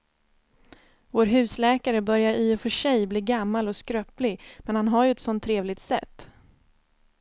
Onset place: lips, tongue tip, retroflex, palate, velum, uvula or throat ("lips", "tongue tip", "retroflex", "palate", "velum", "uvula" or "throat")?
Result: lips